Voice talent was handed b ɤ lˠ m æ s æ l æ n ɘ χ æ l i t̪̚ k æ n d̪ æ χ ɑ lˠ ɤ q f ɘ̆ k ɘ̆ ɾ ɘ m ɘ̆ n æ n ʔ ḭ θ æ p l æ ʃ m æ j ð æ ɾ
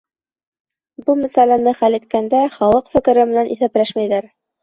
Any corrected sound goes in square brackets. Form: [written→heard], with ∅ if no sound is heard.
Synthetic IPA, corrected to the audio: b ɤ lˠ m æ s æ l æ n ɘ χ æ l i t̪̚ k æ n d̪ æ χ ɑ lˠ ɤ q f ɘ̆ k ɘ̆ ɾ ɘ m ɘ̆ n æ n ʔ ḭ θ æ p l æ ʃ m æ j ð æ ɾ